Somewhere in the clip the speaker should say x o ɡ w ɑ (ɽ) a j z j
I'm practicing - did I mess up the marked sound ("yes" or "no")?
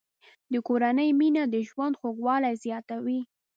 yes